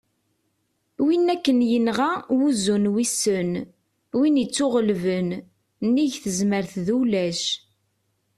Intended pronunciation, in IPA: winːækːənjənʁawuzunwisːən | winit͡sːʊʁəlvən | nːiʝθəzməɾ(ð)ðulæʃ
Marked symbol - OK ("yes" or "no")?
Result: no